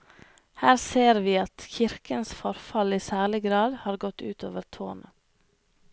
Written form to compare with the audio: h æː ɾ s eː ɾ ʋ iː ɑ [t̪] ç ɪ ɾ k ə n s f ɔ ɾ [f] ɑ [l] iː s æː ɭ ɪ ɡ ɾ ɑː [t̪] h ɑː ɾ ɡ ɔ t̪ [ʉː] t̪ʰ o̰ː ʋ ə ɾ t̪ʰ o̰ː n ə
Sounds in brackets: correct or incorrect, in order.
correct, correct, correct, incorrect: d̪, correct

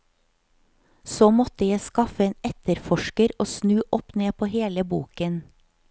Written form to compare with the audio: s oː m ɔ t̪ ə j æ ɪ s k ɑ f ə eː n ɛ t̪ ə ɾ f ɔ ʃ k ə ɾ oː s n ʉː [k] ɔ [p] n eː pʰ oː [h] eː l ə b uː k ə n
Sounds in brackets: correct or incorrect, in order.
incorrect: ʔ, correct, correct

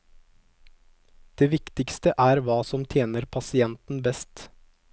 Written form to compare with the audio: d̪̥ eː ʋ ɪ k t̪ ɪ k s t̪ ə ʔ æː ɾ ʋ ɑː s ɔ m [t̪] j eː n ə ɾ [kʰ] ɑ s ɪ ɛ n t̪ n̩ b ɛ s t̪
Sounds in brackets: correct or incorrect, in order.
incorrect: t̪ʰ, incorrect: pʰ

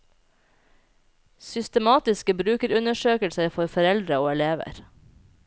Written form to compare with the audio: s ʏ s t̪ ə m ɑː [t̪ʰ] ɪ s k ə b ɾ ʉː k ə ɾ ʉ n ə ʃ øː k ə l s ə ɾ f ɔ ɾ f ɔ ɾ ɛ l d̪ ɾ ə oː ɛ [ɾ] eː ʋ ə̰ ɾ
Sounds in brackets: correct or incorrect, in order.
incorrect: t̪, incorrect: l

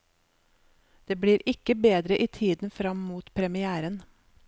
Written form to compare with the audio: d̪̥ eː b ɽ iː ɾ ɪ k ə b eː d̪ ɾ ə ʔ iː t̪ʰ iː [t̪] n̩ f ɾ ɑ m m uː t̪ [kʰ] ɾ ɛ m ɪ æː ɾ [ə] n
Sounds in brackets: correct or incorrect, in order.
incorrect: d̪, incorrect: pʰ, correct

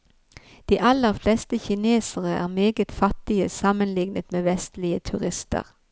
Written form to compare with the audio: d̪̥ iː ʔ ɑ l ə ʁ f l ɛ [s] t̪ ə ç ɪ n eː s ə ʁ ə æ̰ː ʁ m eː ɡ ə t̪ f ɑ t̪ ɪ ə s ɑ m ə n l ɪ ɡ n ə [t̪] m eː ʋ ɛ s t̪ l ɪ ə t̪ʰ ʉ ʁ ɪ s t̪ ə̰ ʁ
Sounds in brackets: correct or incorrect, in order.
correct, correct

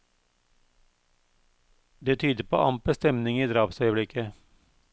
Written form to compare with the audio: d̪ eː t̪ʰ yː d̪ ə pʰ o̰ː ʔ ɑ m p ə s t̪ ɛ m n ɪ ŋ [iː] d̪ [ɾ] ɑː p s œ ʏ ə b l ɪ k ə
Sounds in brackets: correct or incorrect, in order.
correct, correct

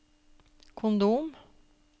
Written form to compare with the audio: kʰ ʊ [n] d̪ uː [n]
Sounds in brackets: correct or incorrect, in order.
correct, incorrect: m

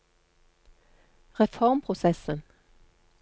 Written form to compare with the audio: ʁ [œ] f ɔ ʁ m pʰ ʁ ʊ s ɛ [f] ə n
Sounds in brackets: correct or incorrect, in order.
incorrect: ɛ, incorrect: s

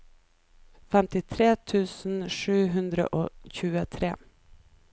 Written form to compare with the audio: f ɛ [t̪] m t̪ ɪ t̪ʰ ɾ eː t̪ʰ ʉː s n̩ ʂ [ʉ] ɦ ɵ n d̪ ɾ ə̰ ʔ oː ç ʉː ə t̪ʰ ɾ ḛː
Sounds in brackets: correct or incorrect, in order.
incorrect: none, incorrect: ʉː

